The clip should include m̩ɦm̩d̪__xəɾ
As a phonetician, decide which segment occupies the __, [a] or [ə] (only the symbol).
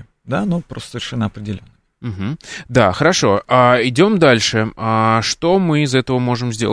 a